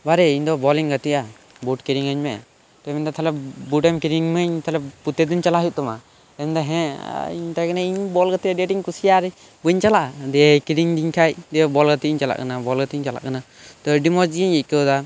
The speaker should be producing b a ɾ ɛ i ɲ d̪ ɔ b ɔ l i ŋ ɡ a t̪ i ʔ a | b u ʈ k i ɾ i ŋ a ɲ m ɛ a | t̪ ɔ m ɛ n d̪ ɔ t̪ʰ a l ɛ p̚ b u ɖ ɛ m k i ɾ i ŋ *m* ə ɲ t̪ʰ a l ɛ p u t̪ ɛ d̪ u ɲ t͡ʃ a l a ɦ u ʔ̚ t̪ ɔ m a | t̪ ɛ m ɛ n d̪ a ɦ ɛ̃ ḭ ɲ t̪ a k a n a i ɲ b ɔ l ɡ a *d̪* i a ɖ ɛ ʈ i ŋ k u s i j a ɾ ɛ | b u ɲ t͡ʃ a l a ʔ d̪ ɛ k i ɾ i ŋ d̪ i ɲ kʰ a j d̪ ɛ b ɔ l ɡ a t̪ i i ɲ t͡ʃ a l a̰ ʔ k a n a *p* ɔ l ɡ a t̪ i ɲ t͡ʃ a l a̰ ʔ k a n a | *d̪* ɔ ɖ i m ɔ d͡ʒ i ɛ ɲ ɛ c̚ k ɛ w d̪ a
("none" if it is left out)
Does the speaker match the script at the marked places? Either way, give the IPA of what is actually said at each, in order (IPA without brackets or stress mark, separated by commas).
m, t̪, b, t̪